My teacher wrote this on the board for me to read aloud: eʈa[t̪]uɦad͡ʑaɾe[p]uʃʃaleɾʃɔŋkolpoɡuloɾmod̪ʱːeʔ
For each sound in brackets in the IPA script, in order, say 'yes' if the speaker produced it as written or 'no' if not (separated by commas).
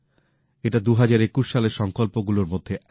no, no